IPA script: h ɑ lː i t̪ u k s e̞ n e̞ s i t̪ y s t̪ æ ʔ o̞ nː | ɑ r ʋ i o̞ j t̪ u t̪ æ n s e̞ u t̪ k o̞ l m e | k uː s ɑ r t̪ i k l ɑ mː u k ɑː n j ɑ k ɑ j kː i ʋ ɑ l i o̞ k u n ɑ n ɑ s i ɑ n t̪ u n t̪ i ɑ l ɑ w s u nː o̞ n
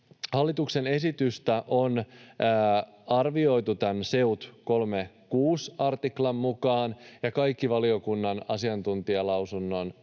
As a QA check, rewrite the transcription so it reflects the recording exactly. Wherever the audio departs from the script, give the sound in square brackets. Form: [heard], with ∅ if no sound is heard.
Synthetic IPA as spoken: h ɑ lː i t̪ u k s e̞ n e̞ s i t̪ y s t̪ æ ʔ o̞ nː | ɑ r ʋ i o̞ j t̪ u t̪ æ n s e̞ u t̪ k o̞ l m e | k uː s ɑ r t̪ i k l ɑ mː u k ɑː n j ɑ k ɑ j kː i ʋ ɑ l i o̞ k u [nː] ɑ n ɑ s i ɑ n t̪ u n t̪ i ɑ l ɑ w s u nː o̞ n